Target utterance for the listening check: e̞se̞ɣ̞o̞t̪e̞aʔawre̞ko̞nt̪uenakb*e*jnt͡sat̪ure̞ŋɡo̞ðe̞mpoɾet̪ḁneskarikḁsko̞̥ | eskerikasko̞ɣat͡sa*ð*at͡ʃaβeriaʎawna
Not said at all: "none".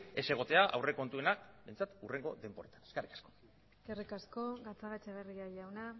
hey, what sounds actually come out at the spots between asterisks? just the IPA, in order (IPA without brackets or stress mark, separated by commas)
e, ɣ